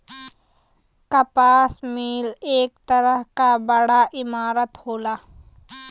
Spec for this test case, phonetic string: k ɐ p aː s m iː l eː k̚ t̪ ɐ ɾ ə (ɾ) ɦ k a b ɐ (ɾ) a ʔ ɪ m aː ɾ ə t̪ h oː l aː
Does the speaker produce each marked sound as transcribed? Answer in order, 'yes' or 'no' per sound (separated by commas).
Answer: no, no